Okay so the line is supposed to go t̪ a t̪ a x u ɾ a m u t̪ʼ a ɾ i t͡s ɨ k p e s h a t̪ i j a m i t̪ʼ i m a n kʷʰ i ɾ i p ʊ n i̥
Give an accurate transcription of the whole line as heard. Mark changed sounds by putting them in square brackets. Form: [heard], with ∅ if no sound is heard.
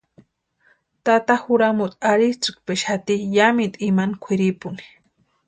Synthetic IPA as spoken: t̪ a t̪ a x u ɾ a m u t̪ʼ a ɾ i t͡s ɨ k p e [ʃ] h a t̪ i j a m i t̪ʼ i m a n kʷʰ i ɾ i p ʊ n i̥